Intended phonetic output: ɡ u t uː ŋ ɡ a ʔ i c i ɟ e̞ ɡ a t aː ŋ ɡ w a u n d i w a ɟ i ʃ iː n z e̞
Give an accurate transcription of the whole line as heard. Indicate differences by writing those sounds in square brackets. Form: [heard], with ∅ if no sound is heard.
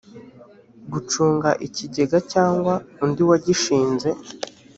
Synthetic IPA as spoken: ɡ u [t͡ʃ] uː ŋ ɡ a ʔ i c i ɟ e̞ ɡ a [c] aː ŋ ɡ w a u n d i w a ɟ i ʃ iː n z e̞